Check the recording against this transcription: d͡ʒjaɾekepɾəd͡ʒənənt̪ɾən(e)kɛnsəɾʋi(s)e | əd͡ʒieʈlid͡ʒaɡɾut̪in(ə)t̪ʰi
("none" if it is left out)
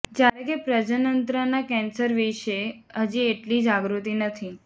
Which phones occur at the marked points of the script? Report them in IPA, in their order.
a, ʃ, ə

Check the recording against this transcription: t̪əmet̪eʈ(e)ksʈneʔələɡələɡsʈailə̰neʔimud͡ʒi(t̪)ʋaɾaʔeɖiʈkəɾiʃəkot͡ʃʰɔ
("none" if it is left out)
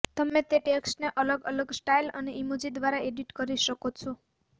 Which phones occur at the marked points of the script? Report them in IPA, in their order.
e, d̪

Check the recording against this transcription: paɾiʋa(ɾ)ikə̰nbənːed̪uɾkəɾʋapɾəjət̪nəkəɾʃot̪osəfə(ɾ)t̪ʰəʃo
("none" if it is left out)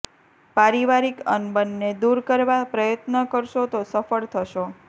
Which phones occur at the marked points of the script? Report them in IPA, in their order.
ɾ, ɭ

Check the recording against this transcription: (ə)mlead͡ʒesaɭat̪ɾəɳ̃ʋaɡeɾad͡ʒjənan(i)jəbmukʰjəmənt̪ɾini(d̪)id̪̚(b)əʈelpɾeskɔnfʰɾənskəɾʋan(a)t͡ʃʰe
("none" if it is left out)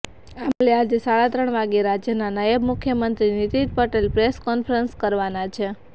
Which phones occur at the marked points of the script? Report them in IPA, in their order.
a, a, t̪, p, a

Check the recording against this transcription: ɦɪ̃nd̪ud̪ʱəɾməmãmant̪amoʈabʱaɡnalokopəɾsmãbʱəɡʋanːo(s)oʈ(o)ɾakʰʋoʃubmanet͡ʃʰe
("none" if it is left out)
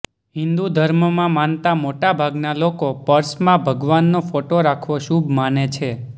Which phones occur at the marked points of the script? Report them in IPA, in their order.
f, o

